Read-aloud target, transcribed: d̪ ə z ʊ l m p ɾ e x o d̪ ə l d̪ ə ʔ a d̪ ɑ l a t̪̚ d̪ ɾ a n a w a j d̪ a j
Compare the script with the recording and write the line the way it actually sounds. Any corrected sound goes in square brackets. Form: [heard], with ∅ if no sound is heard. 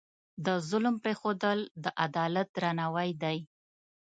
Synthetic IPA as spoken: d̪ ə z ʊ l m p ɾ e x o d̪ ə l d̪ ə ʔ a d̪ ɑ l a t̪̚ d̪ ɾ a n a w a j d̪ a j